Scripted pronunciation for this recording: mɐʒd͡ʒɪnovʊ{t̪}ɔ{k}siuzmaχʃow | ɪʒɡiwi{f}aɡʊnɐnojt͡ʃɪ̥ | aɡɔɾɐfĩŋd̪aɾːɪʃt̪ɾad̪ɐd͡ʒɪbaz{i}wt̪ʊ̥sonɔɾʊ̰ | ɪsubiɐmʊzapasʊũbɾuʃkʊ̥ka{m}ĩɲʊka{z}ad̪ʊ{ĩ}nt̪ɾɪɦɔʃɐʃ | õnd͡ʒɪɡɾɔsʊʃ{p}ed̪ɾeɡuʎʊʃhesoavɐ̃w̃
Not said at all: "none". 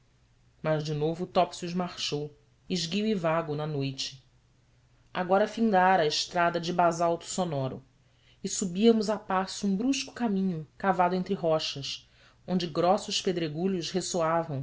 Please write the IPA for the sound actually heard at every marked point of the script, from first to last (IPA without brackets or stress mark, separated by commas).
t̪, p, v, a, m, v, ẽ, p